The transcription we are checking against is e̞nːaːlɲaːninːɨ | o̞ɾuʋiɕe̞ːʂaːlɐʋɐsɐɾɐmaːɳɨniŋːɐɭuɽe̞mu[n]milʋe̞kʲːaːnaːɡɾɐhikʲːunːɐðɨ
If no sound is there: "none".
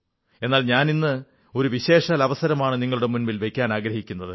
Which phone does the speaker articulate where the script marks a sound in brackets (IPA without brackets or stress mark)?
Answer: n